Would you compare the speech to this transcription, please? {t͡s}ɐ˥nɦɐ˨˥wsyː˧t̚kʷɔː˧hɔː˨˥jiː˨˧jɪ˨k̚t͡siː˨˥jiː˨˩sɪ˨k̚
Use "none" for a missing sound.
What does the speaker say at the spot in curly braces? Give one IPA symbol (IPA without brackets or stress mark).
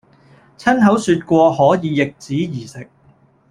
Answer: t͡sʰ